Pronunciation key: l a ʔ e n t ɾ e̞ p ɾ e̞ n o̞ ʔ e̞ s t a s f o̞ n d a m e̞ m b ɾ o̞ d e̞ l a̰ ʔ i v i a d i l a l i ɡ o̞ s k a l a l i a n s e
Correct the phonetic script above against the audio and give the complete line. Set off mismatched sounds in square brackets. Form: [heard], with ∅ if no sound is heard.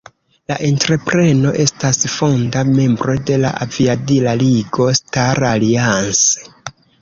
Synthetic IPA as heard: l a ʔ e n t ɾ e̞ p ɾ e̞ n o̞ ʔ e̞ s t a s f o̞ n d a m e̞ m b ɾ o̞ d e̞ l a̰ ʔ [a] v i a d i l a l i ɡ o̞ s [t] a [ɾ] a l i a n s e

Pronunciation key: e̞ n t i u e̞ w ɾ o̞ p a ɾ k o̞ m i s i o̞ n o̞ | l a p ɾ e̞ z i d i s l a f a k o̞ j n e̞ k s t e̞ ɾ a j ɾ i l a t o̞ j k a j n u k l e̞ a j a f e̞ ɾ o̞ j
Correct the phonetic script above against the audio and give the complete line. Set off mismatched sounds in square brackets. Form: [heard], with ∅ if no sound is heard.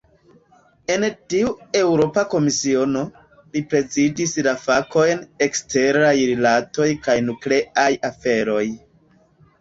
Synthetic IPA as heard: e̞ n t i u e̞ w ɾ o̞ p a [∅] k o̞ m i s i o̞ n o̞ | l [i] p ɾ e̞ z i d i s l a f a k o̞ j n e̞ k s t e̞ ɾ a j ɾ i l a t o̞ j k a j n u k l e̞ a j a f e̞ ɾ o̞ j

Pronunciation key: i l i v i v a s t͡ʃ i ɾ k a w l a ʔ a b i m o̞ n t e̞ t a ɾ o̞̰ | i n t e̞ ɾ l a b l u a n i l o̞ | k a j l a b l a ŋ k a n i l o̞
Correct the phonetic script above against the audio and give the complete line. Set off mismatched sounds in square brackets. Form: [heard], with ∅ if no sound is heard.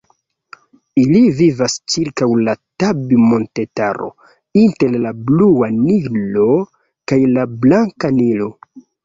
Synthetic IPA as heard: i l i v i v a s t͡ʃ i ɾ k a w l a [t] a b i m o̞ n t e̞ t a ɾ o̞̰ | i n t e̞ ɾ l a b l u a n i l o̞ | k a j l a b l a ŋ k a n i l o̞

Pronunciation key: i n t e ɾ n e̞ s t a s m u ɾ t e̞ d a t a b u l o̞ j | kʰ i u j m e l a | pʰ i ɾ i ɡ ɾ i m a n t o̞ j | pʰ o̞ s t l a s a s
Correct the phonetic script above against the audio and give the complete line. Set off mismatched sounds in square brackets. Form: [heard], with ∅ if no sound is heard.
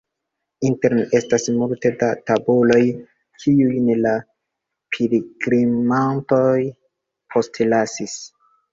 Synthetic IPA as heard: i n t e ɾ n e̞ s t a s m u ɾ t e̞ d a t a b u l o̞ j | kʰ i u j [n] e l a | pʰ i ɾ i ɡ ɾ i m a n t o̞ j | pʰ o̞ s t l a s [i] s

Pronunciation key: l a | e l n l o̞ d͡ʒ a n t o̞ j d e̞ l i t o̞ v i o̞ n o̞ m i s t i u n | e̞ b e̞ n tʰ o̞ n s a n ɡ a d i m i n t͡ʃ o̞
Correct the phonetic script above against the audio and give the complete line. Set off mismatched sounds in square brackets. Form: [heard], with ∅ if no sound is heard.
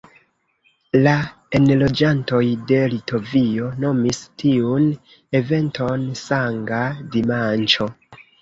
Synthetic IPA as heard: l a | e [∅] n l o̞ d͡ʒ a n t o̞ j d e̞ l i t o̞ v i o̞ n o̞ m i s t i u n | e̞ [v] e̞ n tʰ o̞ n s a [ŋ] ɡ a d i m [a] n t͡ʃ o̞

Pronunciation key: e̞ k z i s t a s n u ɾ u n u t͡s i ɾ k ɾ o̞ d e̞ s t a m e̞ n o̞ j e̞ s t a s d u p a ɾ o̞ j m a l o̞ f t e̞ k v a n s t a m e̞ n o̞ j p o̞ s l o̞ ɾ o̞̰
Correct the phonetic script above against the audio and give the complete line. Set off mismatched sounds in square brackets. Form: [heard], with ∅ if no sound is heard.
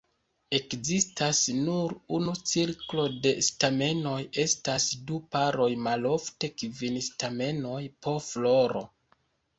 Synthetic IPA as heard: e̞ k z i s t a s n u ɾ u n u t͡s i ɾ k [l] o̞ d e̞ s t a m e̞ n o̞ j e̞ s t a s d u p a ɾ o̞ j m a l o̞ f t e̞ k v [i] n s t a m e̞ n o̞ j p o̞ [f] l o̞ ɾ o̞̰

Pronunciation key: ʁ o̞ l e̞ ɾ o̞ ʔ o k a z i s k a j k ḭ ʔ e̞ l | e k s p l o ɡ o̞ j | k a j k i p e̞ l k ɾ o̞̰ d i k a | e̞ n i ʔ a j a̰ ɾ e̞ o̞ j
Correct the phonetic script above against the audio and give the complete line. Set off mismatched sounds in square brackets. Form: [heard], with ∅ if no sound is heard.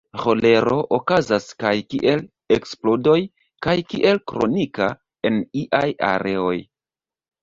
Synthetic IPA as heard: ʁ o̞ l e̞ ɾ o̞ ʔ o k a z [a] s k a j k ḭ ʔ e̞ l | e k s p l o [d] o̞ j | k a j k i [ʔ] e̞ l k ɾ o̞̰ [n] i k a | e̞ n i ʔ a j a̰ ɾ e̞ o̞ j

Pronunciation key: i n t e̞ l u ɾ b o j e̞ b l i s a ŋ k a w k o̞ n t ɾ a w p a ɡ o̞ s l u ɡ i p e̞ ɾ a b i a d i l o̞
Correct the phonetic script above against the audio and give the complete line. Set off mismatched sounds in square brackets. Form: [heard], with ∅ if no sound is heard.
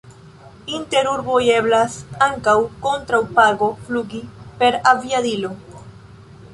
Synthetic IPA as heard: i n t e̞ [ɾ] u ɾ b o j e̞ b l [a] s a ŋ k a w k o̞ n t ɾ a w p a ɡ o̞ [f] l u ɡ i p e̞ ɾ a [v] i a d i l o̞

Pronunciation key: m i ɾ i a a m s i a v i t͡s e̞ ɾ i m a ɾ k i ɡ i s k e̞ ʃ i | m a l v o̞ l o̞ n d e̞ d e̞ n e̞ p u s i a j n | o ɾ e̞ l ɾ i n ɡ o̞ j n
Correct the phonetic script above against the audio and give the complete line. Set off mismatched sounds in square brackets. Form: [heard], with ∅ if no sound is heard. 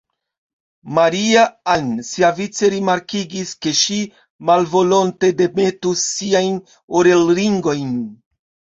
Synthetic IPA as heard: m [a] ɾ i a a [n] s i a v i t͡s e̞ ɾ i m a ɾ k i ɡ i s k e̞ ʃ i | m a l v o̞ l o̞ n [t] e̞ d e̞ [m] e̞ [t] u s i a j n | o ɾ e̞ l ɾ i [ŋ] ɡ o̞ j n

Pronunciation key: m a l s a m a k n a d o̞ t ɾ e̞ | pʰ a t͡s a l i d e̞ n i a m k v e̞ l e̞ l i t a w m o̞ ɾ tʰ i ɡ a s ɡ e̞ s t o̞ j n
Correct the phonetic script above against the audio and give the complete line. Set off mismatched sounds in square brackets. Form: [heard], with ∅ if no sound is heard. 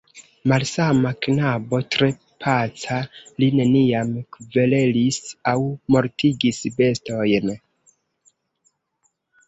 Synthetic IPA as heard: m a l s a m a k n a [b] o̞ t ɾ e̞ | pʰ a t͡s a l i [n] e̞ n i a m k v e̞ l e̞ l i [s] a w m o̞ ɾ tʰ i ɡ [i] s [b] e̞ s t o̞ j n

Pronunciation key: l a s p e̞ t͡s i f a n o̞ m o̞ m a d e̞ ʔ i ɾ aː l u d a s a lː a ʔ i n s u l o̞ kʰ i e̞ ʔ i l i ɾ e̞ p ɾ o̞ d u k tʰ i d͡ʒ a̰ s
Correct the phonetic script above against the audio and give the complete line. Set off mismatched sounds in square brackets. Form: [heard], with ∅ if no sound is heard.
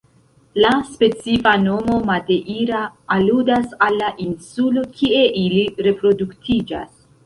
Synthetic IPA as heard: l a s p e̞ t͡s i f a n o̞ m o̞ m a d e̞ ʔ i ɾ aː l u d a s a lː a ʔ i n s u l o̞ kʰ i e̞ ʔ i l i ɾ e̞ p ɾ o̞ d u k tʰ i d͡ʒ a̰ s

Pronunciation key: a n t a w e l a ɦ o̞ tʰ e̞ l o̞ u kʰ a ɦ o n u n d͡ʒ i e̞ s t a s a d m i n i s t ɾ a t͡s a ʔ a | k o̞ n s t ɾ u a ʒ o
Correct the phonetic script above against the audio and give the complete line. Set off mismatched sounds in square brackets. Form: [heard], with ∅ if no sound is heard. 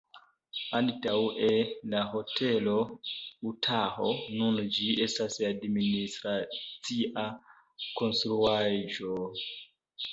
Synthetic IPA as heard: a n t a w e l a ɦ o̞ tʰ e̞ l o̞ u [tʰ] a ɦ o n u n d͡ʒ i e̞ s t a s a d m i n i s t ɾ a t͡s [i] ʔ a | k o̞ n s t ɾ u a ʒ o

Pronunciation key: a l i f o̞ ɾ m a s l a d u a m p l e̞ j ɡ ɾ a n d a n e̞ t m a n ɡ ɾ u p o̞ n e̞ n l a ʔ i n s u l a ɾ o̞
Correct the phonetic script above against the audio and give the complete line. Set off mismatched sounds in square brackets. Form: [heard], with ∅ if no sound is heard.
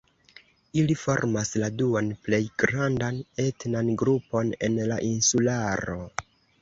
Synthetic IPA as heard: [i] l i f o̞ ɾ m a s l a d u a [n] p l e̞ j ɡ ɾ a n d a n e̞ t [n] a n ɡ ɾ u p o̞ n e̞ n l a ʔ i n s u l a ɾ o̞

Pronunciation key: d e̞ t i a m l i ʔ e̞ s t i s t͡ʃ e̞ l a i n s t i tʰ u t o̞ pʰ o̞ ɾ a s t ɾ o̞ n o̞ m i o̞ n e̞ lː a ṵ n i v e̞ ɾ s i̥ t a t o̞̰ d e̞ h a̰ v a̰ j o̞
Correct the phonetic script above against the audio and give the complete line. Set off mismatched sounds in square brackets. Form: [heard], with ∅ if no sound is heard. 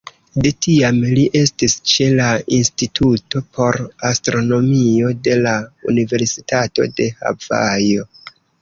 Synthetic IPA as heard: d e̞ t i a m l i ʔ e̞ s t i s t͡ʃ e̞ l a i n s t i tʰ u t o̞ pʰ o̞ ɾ a s t ɾ o̞ n o̞ m i o̞ [d] e̞ [l] a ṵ n i v e̞ ɾ s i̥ t a t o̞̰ d e̞ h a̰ v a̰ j o̞

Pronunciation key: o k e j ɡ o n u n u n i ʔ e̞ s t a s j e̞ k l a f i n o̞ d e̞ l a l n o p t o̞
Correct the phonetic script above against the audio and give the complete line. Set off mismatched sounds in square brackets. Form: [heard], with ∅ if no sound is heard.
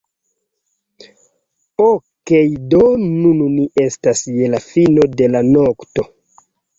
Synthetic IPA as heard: o k e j [d] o n u n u n i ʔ e̞ s t a s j e̞ [∅] l a f i n o̞ d e̞ l a [∅] n o [k] t o̞

